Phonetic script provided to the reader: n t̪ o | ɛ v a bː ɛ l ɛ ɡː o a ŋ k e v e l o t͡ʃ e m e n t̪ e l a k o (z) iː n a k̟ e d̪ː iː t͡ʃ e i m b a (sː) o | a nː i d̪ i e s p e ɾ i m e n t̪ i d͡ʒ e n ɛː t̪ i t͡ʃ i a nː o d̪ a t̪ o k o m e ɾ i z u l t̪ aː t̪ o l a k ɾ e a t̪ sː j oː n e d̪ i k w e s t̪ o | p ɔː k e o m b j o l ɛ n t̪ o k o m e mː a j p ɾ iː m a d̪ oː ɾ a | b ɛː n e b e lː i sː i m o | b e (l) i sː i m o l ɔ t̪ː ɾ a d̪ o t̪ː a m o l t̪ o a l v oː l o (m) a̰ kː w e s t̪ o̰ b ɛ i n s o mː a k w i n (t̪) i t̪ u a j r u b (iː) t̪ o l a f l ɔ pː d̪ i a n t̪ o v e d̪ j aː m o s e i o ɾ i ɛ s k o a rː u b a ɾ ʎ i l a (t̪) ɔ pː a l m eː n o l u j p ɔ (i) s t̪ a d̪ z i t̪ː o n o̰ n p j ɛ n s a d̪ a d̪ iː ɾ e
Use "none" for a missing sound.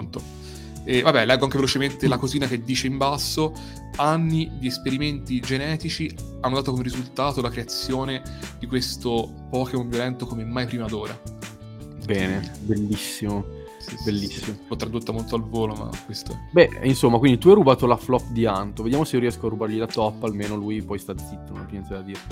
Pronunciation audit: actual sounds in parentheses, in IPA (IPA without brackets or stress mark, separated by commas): z, sː, lː, m, d̪, aː, t̪, j